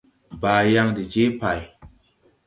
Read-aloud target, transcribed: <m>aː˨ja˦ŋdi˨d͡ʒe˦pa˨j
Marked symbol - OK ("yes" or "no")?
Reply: no